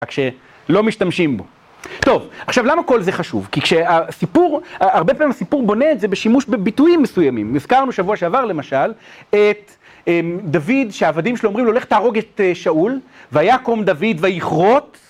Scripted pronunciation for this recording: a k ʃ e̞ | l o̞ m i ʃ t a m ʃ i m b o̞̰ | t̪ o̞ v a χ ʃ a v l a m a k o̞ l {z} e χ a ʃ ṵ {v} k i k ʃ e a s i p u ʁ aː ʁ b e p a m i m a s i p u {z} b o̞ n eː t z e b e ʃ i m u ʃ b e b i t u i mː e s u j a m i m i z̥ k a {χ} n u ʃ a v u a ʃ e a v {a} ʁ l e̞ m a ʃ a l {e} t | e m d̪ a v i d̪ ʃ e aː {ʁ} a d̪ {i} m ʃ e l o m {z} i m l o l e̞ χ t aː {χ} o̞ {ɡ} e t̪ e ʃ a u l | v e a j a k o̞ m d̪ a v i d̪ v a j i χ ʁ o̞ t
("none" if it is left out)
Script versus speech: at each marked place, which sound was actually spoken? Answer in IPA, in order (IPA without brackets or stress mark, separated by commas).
z, v, ʁ, ʁ, a, e, v, i, ʁ, ʁ, ɡ